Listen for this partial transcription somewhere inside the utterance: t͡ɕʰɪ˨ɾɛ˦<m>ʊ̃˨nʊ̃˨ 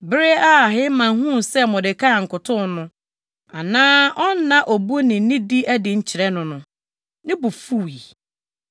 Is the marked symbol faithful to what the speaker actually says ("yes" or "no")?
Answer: no